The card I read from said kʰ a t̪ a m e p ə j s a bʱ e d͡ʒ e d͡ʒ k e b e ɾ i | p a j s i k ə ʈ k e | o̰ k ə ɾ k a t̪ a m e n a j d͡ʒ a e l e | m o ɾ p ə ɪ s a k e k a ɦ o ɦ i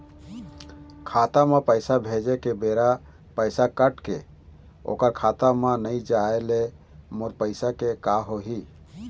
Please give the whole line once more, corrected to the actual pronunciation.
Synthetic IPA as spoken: kʰ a t̪ a m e p ə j s a bʱ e d͡ʒ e k e b e ɾ a | p ə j s a k ə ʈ k e | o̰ k ə ɾ kʰ a t̪ a m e n ə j d͡ʒ a e l e | m o ɾ p ə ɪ s a k e k a ɦ o ɦ i